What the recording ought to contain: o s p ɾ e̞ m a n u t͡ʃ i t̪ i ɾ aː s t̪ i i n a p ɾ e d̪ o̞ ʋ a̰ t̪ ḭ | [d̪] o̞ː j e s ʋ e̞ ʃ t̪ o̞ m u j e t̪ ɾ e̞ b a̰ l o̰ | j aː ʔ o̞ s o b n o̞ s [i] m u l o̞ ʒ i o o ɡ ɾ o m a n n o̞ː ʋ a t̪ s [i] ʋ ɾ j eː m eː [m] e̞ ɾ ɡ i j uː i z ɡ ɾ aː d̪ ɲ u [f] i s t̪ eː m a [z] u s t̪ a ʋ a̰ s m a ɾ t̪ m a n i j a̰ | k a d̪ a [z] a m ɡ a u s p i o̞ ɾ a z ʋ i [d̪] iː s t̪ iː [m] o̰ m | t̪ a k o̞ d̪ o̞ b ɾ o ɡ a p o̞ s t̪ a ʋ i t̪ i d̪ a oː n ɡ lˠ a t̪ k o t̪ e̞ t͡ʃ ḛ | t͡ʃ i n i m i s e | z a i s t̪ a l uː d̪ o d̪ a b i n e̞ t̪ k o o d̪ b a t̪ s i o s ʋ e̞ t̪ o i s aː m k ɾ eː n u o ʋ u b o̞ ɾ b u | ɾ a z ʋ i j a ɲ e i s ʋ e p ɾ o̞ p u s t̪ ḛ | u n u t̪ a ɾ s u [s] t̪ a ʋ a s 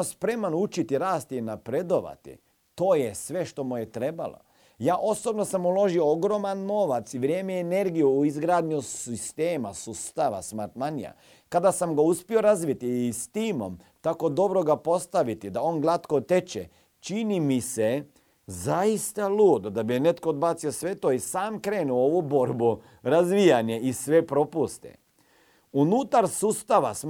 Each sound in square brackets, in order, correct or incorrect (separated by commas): incorrect, incorrect, correct, incorrect, incorrect, incorrect, incorrect, incorrect, correct, correct